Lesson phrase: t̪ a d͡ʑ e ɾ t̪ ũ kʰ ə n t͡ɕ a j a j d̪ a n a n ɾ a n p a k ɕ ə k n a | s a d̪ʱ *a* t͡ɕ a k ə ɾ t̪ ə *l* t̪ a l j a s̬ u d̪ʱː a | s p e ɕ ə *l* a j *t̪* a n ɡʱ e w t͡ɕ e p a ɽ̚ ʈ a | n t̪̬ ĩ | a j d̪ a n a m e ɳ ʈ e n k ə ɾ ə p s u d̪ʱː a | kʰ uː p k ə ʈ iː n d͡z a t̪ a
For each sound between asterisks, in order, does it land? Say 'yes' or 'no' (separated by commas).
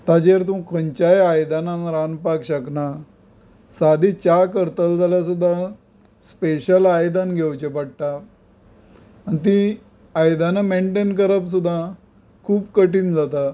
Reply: no, yes, yes, no